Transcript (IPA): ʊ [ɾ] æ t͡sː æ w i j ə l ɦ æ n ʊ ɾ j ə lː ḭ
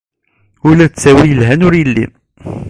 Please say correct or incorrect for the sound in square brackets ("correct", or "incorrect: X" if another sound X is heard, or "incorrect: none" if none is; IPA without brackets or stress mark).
incorrect: l